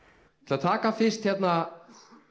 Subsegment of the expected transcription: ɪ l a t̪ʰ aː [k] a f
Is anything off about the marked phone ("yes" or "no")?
no